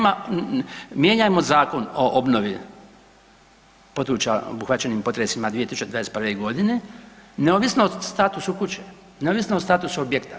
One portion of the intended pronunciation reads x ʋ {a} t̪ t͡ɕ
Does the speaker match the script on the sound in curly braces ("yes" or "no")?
yes